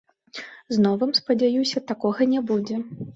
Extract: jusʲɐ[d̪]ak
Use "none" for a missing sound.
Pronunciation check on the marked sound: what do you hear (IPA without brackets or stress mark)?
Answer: t̪